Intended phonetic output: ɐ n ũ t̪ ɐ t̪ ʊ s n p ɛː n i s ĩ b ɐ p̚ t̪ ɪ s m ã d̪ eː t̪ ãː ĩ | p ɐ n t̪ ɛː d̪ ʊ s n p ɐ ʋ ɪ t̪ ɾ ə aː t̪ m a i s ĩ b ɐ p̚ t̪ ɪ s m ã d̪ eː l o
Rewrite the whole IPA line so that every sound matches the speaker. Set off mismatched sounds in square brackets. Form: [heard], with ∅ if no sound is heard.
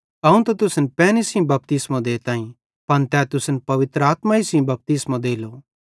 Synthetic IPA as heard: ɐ [∅] ũ t̪ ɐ t̪ ʊ s n p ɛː n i s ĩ b ɐ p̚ t̪ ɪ s m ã d̪ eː t̪ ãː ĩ | p ɐ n t̪ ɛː [t̪] ʊ s n p ɐ ʋ ɪ t̪ ɾ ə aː t̪ m a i s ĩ b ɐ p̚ t̪ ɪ s m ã d̪ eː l o